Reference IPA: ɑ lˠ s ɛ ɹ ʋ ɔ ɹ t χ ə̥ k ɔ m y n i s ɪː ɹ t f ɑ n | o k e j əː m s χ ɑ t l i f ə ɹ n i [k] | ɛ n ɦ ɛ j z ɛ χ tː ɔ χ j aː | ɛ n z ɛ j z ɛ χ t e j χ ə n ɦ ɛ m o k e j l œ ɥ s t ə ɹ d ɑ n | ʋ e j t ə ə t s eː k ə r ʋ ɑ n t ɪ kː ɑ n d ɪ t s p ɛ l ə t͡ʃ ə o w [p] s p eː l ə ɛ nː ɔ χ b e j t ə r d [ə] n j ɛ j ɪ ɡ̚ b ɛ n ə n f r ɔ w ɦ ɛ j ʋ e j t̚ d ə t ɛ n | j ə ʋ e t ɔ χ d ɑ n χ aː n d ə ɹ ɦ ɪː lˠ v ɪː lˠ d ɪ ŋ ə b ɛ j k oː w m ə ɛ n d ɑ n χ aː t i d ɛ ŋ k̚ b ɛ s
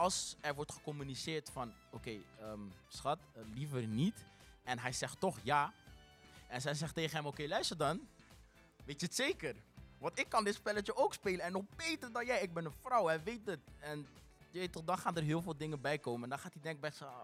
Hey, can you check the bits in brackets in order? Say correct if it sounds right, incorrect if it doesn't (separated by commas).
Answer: incorrect, incorrect, incorrect